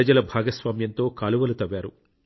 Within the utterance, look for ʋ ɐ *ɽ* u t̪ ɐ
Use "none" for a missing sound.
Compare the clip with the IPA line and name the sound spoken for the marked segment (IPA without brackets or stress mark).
l